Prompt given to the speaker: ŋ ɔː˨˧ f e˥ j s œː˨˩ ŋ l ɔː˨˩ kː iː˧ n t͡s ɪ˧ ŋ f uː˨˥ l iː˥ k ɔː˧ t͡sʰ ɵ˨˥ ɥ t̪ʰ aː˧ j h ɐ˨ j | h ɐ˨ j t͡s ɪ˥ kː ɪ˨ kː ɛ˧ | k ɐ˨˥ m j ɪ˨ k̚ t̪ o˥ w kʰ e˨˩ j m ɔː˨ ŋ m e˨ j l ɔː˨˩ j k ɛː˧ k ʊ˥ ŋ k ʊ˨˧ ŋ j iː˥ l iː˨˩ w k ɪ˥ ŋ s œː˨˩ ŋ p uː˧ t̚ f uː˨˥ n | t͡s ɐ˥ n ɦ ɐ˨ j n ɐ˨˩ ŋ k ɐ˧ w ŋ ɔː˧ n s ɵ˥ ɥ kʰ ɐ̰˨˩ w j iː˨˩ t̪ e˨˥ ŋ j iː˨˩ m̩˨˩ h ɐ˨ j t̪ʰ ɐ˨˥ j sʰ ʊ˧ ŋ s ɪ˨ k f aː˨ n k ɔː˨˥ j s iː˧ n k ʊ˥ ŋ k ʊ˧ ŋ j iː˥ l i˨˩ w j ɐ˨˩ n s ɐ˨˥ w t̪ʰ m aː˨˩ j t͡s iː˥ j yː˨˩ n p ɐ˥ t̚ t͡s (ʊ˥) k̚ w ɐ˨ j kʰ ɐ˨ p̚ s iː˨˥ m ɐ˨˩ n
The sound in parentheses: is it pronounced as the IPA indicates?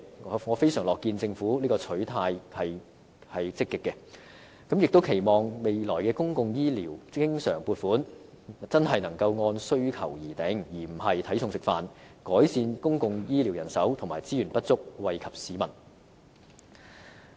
yes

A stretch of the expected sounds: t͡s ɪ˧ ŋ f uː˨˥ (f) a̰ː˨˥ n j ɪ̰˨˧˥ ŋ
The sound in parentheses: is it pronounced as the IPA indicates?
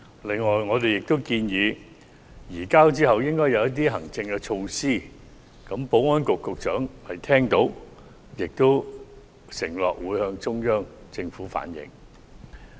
yes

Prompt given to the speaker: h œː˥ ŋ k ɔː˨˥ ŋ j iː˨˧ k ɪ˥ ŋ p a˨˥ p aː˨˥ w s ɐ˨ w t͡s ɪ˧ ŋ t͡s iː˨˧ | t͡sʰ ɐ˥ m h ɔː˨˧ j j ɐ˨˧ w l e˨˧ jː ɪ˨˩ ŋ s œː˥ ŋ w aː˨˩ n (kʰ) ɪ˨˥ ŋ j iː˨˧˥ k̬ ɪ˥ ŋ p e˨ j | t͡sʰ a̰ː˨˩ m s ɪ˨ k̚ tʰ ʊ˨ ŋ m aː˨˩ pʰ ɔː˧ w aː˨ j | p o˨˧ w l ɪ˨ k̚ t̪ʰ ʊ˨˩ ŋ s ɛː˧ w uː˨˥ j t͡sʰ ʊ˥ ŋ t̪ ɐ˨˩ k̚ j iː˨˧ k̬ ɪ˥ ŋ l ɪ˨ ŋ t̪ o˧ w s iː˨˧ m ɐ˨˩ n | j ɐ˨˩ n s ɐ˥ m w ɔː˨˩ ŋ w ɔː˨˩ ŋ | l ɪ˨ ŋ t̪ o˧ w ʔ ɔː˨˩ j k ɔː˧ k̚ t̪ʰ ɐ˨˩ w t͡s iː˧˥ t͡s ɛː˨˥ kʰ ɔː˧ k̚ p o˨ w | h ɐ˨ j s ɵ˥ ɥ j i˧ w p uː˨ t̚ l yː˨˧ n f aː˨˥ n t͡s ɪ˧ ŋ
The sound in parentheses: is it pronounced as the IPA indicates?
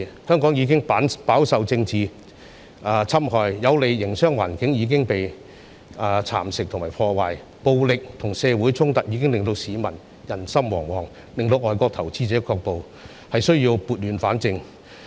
no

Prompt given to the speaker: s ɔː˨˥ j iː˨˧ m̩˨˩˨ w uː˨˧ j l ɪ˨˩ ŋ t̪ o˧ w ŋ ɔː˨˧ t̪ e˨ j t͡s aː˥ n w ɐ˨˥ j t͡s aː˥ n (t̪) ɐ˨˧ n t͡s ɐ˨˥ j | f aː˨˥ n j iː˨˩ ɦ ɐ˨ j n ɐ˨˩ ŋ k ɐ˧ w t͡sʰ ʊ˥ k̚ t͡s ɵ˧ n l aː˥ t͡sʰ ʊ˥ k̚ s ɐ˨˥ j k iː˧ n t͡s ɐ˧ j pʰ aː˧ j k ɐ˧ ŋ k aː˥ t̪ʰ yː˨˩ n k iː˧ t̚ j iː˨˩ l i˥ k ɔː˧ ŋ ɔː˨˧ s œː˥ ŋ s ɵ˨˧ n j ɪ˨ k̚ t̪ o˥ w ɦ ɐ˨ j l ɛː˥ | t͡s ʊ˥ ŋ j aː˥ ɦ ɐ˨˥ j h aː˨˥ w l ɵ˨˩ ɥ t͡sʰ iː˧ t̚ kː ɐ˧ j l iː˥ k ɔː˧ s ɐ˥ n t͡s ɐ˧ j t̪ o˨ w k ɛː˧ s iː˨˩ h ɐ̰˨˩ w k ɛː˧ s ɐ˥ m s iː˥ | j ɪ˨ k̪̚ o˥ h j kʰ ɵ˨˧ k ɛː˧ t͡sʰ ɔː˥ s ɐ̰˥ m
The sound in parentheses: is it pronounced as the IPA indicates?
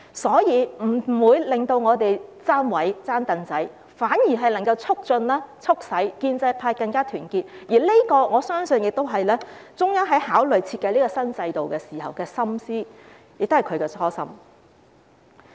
yes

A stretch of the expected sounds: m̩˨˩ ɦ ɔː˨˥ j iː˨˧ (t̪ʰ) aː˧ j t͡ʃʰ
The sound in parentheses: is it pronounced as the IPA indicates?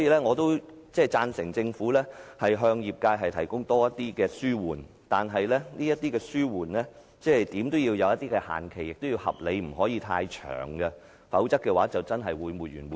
yes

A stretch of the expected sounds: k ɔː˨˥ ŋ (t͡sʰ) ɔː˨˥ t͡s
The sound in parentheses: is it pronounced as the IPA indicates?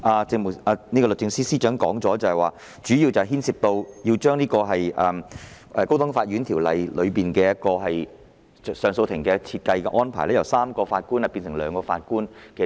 no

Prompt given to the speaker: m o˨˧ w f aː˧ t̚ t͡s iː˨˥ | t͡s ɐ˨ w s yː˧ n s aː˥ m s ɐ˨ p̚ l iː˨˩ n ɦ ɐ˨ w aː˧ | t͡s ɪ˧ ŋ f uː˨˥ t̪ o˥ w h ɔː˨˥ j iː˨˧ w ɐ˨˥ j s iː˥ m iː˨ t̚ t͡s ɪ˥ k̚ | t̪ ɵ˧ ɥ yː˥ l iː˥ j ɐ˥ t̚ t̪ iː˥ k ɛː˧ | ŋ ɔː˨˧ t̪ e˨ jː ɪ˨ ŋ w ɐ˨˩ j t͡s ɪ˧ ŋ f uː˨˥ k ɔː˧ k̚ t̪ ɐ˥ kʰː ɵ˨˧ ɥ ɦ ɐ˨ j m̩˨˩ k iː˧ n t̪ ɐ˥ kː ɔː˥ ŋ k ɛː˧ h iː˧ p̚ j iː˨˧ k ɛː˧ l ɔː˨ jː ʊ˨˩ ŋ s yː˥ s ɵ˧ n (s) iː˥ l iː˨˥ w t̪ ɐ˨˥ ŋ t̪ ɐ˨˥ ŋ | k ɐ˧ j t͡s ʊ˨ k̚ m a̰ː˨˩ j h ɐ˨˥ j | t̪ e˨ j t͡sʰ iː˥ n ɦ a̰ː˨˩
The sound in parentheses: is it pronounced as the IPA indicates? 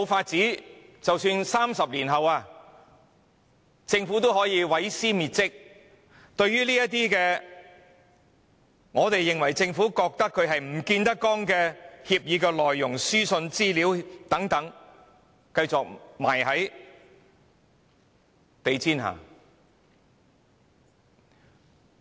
no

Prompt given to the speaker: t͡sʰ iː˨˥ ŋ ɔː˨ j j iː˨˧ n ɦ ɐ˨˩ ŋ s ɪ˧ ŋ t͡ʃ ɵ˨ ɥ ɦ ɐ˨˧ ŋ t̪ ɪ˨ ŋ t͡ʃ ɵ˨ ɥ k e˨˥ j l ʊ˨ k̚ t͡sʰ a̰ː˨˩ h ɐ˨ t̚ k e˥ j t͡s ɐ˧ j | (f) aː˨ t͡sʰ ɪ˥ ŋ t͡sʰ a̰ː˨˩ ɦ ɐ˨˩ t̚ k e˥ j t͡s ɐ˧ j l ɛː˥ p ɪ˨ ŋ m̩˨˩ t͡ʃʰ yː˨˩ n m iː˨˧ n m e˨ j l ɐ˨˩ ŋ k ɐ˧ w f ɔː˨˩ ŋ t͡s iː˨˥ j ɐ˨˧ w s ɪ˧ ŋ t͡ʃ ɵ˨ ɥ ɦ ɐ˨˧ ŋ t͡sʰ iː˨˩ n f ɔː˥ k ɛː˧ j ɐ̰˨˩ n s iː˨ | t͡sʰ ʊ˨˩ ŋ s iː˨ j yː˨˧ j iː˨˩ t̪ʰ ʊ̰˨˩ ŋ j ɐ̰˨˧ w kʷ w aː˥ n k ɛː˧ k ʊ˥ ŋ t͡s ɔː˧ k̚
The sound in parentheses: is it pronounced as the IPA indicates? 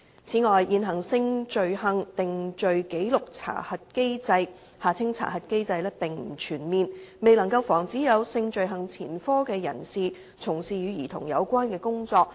no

